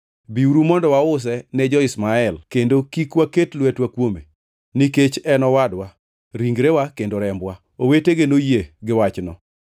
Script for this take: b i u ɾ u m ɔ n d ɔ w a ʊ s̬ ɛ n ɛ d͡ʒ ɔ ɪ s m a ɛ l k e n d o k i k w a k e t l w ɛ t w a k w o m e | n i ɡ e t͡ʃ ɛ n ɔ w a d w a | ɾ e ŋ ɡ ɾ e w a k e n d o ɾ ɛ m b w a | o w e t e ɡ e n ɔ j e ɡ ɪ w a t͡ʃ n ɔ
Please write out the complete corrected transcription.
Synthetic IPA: b i u ɾ u m ɔ n d ɔ w a ʊ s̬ ɛ n ɛ d͡ʒ ɔ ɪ s m a ɛ l k e n d o k i k w a k e t l w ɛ t w a k w o m e | n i k e t͡ʃ ɛ n ɔ w a d w a | ɾ i ŋ ɡ ɾ e w a k e n d o ɾ ɛ m b w a | o w e t e ɡ e n o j e ɡ ɪ w a t͡ʃ n ɔ